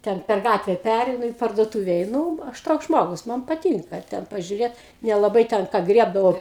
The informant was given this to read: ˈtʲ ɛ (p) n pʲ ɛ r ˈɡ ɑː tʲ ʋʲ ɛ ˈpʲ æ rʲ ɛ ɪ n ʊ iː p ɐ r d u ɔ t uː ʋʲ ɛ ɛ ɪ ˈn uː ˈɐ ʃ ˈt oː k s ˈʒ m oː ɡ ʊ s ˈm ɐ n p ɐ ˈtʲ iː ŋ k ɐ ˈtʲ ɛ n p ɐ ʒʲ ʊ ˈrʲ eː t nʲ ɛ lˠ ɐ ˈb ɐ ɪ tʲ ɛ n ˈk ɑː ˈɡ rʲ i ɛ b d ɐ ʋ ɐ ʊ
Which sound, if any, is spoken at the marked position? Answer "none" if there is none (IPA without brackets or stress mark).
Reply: none